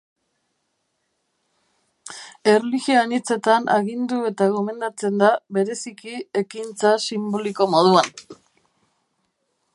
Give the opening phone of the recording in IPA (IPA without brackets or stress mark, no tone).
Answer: e̞